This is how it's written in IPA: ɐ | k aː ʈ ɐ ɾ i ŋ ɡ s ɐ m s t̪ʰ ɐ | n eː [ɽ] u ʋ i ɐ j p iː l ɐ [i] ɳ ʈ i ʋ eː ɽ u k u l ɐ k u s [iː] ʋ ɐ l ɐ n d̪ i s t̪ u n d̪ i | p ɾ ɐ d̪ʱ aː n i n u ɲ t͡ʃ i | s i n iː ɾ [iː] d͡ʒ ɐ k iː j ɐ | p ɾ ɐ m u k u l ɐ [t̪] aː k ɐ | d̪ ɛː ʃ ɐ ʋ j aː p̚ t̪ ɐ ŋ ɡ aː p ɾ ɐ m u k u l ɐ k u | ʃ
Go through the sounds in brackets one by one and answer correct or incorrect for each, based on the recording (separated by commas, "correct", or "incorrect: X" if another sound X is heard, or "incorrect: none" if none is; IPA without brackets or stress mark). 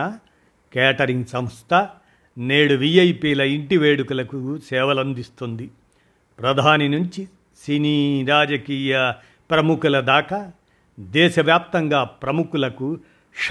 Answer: correct, correct, incorrect: ɛː, incorrect: aː, incorrect: d̪